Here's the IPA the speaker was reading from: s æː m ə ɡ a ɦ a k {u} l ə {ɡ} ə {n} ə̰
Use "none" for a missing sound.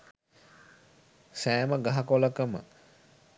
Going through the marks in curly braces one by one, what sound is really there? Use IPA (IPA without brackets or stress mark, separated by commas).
o, k, m